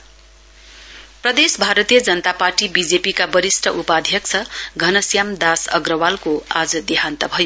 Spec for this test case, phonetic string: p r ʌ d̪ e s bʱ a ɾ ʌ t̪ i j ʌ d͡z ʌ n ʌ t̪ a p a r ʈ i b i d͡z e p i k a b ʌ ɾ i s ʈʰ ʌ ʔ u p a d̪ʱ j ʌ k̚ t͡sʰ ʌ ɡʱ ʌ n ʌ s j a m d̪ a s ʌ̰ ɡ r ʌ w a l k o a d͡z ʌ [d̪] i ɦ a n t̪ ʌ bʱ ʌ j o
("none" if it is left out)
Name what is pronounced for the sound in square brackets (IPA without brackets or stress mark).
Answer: d̪